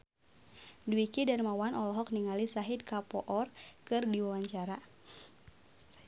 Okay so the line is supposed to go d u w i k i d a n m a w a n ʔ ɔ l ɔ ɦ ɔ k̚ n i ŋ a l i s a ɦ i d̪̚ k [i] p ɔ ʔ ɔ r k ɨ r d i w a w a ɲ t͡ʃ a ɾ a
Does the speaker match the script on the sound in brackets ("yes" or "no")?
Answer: no